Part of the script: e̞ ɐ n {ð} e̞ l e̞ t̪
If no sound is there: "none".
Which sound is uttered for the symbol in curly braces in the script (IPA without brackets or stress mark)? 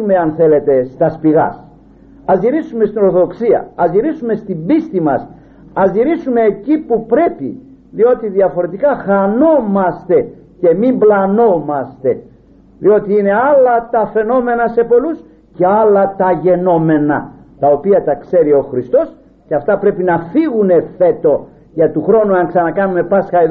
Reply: θ